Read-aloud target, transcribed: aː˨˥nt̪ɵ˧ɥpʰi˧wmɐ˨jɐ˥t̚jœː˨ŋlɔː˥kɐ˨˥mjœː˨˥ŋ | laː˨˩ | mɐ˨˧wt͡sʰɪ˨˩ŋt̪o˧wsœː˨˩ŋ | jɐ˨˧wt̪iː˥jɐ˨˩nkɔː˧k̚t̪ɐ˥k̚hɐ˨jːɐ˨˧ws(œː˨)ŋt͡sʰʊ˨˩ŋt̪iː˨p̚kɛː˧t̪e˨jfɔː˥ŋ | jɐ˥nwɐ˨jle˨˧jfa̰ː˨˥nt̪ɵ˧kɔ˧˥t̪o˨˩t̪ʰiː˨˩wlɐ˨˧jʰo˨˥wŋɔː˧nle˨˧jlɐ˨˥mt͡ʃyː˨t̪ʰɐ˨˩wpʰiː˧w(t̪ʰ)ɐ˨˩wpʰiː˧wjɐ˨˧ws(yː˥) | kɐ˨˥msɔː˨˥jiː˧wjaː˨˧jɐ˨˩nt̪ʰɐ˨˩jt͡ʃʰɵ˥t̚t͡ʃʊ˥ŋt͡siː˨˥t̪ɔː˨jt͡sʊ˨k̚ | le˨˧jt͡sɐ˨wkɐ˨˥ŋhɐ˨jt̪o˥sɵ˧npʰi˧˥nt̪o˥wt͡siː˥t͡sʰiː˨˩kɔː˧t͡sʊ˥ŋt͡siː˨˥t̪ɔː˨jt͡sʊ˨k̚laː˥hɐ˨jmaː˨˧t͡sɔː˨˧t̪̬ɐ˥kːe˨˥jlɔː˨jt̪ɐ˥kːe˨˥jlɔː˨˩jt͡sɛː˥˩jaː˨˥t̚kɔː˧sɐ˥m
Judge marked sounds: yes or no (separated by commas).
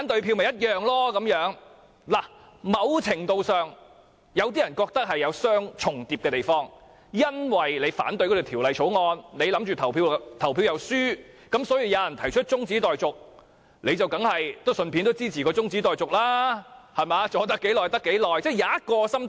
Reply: no, yes, yes